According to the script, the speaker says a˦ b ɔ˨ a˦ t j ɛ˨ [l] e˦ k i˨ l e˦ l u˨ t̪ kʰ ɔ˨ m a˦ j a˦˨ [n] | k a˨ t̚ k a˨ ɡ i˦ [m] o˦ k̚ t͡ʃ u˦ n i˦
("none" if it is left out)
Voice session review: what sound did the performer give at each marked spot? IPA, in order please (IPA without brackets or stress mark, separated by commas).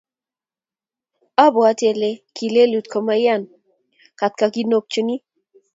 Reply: l, n, n